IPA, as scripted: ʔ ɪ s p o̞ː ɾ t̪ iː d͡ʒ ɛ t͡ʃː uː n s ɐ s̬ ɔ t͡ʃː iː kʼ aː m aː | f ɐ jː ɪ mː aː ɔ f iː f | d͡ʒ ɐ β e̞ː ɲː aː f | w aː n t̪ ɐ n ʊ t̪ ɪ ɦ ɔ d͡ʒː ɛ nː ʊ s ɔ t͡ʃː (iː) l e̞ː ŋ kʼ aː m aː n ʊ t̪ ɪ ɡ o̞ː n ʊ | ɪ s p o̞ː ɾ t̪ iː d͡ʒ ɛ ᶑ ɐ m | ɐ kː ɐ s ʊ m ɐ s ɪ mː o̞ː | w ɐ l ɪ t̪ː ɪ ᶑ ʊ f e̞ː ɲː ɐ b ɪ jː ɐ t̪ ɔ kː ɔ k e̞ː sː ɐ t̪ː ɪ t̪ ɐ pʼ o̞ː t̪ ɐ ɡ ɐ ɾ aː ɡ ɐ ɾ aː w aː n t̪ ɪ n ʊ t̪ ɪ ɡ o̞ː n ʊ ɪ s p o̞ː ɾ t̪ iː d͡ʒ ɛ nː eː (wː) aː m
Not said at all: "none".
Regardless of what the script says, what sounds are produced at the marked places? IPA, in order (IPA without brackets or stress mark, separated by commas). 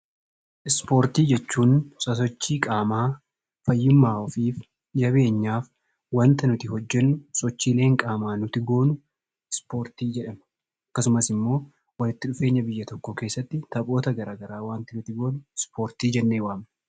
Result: iː, w